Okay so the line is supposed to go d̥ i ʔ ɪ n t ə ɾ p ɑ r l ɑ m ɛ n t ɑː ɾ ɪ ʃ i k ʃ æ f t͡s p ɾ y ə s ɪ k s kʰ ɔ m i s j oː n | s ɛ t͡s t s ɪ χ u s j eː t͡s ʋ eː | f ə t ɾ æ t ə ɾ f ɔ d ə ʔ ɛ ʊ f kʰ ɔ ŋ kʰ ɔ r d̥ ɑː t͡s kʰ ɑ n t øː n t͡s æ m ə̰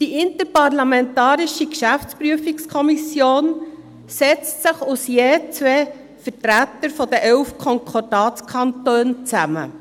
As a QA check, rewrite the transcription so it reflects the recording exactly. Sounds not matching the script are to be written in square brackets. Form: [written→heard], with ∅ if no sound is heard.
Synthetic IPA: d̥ i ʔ ɪ n t ə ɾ p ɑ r l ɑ m ɛ n t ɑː ɾ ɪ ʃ i k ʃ æ f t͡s p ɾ y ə [s→f] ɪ k s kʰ ɔ m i s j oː n | s ɛ t͡s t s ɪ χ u s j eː t͡s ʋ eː | f ə t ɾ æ t ə ɾ f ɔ d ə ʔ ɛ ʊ f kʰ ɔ ŋ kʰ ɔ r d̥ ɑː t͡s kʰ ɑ n t øː n t͡s æ m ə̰